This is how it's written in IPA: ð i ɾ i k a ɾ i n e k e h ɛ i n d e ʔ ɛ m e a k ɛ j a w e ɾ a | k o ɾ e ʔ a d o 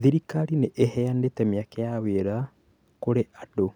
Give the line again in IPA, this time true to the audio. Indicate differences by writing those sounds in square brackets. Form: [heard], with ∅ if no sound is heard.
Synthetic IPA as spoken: ð i ɾ i k a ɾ i n e [ʔ] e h ɛ [a] n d e [t] ɛ m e a k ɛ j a w e ɾ a | k o ɾ e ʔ a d o